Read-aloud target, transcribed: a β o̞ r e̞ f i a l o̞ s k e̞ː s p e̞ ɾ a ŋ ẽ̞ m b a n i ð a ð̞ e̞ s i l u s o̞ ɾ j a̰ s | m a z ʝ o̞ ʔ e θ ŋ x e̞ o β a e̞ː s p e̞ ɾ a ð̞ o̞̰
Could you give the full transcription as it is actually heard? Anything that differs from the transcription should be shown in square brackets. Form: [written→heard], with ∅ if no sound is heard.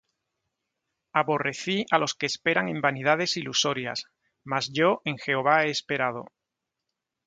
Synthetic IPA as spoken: a β o̞ r e̞ [f→θ] i a l o̞ s k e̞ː s p e̞ ɾ a ŋ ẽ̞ m b a n i ð a ð̞ e̞ s i l u s o̞ ɾ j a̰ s | m a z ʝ o̞ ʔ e [θ→∅] ŋ x e̞ o β a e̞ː s p e̞ ɾ a ð̞ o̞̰